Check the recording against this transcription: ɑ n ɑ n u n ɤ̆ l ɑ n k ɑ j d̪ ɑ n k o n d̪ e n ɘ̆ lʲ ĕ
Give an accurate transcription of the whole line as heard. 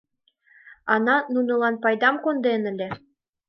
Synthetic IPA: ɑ n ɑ n u n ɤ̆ l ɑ n p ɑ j d̪ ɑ m k o n d̪ e n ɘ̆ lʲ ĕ